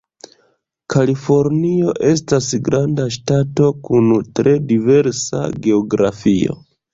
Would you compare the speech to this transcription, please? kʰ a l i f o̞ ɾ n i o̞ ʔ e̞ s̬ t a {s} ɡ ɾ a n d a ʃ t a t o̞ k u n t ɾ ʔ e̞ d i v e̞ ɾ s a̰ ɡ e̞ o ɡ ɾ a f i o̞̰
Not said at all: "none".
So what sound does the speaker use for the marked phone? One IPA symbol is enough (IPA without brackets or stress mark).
s